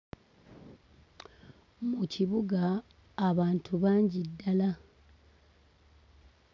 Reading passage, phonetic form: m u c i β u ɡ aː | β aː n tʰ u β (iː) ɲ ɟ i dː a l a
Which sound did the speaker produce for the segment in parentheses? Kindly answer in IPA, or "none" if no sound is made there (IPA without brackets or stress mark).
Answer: aː